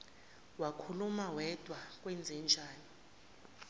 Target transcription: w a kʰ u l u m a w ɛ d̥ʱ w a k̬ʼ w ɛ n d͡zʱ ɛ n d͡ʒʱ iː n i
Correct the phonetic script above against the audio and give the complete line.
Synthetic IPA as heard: w a kʰ u l u m a w ɛ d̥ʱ w a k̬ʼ w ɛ n d͡zʱ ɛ n d͡ʒʱ aː n i